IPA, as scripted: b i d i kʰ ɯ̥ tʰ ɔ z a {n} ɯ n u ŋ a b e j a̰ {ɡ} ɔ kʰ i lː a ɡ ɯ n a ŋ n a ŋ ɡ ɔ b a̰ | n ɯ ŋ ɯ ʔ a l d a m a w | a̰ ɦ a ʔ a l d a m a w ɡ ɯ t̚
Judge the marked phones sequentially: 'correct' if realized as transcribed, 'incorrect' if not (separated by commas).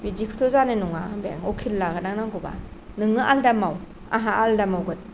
correct, incorrect